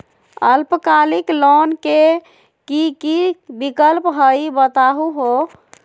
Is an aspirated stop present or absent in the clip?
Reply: absent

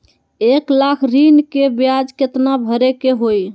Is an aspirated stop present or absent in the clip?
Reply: present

